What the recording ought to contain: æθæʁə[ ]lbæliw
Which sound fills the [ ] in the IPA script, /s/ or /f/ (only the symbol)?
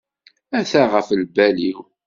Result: f